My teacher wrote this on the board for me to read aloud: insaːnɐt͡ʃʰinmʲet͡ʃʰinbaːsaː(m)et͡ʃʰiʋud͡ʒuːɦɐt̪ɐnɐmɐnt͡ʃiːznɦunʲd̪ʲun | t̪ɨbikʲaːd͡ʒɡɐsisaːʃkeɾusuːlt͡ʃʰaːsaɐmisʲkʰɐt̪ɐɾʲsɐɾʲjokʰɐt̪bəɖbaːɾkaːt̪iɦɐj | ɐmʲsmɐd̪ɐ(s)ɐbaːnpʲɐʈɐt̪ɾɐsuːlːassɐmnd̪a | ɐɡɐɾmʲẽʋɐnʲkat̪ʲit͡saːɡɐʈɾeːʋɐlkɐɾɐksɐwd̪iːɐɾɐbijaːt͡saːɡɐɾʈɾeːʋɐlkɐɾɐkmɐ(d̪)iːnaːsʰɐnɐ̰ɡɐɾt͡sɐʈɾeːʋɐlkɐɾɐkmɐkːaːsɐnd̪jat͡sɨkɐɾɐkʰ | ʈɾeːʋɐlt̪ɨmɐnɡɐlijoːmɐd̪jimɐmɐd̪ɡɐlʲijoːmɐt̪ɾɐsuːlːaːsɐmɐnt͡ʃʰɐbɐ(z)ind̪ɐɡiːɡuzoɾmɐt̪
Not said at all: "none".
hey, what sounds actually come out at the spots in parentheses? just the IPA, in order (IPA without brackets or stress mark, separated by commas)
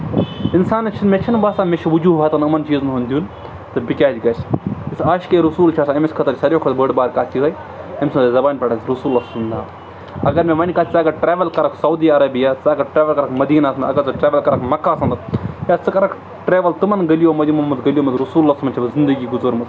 m, z, d̪, z